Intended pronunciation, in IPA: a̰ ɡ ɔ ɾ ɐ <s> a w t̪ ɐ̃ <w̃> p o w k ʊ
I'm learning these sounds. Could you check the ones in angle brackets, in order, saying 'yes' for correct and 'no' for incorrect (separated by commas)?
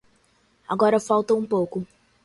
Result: no, no